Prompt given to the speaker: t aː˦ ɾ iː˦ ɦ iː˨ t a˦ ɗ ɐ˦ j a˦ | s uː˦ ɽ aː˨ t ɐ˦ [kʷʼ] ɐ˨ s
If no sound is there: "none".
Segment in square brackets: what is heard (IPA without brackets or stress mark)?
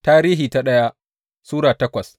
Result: kʷ